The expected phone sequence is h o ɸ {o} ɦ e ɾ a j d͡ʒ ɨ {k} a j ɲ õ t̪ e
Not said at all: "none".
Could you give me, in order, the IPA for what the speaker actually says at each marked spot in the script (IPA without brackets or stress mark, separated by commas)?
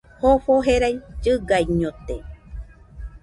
o, ɡ